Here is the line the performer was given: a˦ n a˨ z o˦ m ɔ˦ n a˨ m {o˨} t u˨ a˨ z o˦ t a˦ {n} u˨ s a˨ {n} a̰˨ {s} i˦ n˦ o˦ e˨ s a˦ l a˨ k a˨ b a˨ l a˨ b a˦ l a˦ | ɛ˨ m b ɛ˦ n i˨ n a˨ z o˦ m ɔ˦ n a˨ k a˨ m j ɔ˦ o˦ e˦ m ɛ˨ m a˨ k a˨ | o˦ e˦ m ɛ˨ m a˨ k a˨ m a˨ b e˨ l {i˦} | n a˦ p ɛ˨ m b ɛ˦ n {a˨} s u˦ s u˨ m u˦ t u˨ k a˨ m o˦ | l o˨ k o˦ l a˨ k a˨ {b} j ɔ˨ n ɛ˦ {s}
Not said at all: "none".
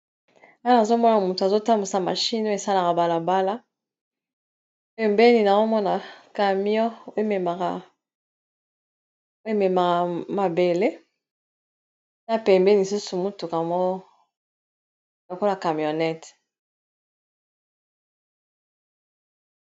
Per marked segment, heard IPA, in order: u˨, m, m, ʃ, e˦, i˨, m, t

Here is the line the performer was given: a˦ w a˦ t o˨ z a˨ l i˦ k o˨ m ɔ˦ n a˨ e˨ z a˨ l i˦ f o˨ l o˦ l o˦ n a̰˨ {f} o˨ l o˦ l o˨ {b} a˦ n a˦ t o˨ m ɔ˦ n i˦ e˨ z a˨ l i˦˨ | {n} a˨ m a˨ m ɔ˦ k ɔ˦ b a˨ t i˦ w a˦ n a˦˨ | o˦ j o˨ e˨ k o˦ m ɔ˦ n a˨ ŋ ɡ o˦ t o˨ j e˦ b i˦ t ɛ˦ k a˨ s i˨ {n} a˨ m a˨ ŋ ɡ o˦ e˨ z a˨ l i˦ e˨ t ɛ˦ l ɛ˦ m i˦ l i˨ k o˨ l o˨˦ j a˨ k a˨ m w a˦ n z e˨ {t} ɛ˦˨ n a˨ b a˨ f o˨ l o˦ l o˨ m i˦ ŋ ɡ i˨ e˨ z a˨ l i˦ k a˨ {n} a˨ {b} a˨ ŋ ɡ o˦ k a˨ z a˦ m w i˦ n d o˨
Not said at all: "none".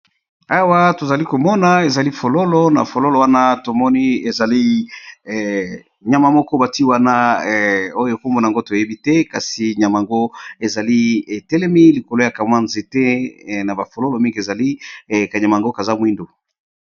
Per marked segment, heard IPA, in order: f, w, ɲ, ɲ, t, ɲ, m

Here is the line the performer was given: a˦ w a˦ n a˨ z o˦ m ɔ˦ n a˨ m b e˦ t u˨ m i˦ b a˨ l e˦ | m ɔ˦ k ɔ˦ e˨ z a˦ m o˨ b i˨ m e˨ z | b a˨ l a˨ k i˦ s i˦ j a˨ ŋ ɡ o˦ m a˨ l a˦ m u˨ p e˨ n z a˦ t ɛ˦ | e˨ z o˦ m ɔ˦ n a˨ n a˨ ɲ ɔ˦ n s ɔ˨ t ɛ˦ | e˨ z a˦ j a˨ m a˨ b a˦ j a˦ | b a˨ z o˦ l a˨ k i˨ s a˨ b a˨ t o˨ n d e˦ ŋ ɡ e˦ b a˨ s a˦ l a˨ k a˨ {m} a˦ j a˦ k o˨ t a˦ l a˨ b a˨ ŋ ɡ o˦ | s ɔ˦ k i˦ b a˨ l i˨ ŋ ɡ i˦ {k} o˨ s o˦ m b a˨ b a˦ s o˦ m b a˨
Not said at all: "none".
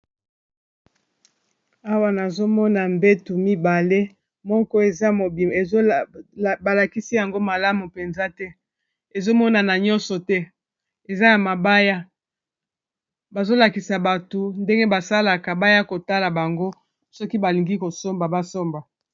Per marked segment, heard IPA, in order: b, k

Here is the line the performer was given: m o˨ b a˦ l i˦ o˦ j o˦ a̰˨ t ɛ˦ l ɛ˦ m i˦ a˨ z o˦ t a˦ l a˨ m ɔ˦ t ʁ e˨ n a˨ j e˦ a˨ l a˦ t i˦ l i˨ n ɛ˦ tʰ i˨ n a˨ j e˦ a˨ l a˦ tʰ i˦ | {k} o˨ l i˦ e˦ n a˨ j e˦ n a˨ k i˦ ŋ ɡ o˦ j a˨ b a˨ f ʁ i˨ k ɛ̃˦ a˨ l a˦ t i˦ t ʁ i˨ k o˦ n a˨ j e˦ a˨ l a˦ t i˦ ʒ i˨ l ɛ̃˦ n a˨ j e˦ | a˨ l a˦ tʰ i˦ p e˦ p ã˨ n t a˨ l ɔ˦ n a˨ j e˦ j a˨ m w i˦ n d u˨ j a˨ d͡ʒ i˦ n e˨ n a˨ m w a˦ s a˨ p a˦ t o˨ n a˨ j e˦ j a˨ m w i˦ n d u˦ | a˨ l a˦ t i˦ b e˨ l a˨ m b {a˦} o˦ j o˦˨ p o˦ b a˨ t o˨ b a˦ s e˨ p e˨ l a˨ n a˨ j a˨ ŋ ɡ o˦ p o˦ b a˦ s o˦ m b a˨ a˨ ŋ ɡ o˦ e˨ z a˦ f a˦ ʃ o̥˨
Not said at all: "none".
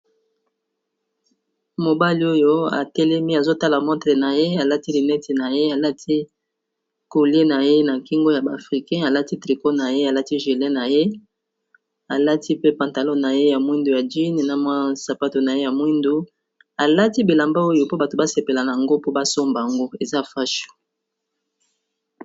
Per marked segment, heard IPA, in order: k, a˦

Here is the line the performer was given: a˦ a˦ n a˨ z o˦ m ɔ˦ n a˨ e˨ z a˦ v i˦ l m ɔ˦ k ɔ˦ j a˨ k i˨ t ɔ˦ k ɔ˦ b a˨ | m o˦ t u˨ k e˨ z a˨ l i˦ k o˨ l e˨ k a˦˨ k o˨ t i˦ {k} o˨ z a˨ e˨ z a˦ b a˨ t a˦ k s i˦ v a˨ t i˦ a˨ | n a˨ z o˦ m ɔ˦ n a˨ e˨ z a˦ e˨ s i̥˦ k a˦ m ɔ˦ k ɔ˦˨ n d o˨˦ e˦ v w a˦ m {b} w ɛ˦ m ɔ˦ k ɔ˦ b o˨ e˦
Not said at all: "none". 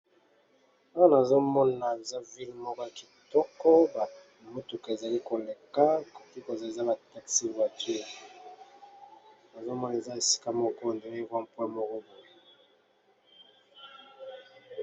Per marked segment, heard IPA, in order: k, p

